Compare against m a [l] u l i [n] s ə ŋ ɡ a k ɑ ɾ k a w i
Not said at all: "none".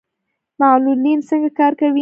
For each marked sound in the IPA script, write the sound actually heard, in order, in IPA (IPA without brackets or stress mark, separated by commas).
l, n